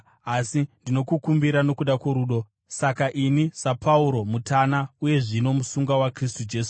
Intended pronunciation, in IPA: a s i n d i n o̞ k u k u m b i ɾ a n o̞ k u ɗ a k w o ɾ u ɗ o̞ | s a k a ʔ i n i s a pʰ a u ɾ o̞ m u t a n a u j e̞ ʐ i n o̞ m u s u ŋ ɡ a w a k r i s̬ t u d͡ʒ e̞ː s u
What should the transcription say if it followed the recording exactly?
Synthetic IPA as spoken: a s i n d i n o̞ k u k u m b i ɾ a n o̞ k u ɗ a k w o ɾ u ɗ o̞ | s a k a ʔ i n i s a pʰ a u ɾ o̞ m u t a n a u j e̞ ʐ i n o̞ m u s u ŋ ɡ a w a k r i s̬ t u d͡ʒ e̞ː s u